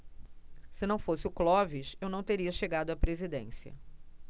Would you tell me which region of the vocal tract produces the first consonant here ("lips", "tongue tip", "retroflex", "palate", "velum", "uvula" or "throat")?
tongue tip